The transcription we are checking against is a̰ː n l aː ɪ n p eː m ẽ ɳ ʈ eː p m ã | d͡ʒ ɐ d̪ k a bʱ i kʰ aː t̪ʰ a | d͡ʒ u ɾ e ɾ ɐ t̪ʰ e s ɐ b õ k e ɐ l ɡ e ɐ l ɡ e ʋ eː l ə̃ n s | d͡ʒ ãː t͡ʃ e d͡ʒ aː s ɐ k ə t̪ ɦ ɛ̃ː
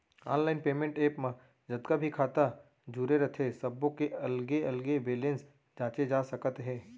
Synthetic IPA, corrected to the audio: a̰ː n l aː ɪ n p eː m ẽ ɳ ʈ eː p m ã | d͡ʒ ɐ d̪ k a bʱ i kʰ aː t̪ a | d͡ʒ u ɾ e ɾ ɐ t̪ʰ e s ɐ b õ k e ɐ l ɡ e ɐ l ɡ e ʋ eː l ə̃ n s | d͡ʒ ãː t͡ʃ e d͡ʒ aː s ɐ k ə t̪ ɦ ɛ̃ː